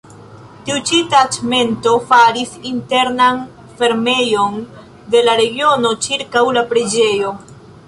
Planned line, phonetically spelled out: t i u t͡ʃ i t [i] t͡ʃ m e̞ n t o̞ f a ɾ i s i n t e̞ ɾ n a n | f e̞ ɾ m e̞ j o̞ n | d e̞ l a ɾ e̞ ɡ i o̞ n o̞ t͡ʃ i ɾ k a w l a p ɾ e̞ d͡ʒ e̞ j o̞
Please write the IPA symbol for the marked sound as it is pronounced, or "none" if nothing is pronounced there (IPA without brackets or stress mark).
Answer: a